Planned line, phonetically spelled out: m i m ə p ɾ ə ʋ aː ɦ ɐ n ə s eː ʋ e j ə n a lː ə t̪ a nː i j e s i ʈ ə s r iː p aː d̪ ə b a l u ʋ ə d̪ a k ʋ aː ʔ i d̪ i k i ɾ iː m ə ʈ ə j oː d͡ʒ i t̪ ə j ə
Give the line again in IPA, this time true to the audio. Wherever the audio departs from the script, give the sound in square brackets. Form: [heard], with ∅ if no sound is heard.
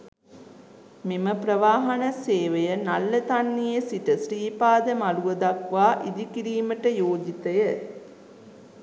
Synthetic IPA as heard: m i m ə p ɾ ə ʋ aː ɦ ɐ n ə s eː ʋ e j ə n a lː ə t̪ a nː i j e s i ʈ ə s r iː p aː d̪ ə [m] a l u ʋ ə d̪ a k ʋ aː ʔ i d̪ i k i ɾ iː m ə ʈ ə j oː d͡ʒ i t̪ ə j ə